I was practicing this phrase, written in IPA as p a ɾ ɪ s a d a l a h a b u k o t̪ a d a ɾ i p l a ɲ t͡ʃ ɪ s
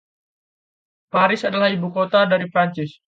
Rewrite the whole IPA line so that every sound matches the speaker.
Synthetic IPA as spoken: p a ɾ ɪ s a d a l a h i b u k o t̪ a d a ɾ i p ɾ a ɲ t͡ʃ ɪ s